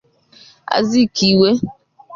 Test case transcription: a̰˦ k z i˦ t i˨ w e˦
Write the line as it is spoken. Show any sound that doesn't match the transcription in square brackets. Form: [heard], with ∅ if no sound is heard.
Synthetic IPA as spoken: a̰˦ [∅] z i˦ [k] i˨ w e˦